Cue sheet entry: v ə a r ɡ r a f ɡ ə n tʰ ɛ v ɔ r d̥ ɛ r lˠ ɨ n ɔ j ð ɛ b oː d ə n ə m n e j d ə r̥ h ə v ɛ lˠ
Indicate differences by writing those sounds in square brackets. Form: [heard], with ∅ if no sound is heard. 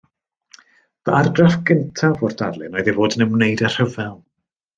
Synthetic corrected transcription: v ə a r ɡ r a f ɡ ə n tʰ [a] v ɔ r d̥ [a] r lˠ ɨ n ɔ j ð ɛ [v] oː d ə n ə m n e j d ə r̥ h ə v ɛ lˠ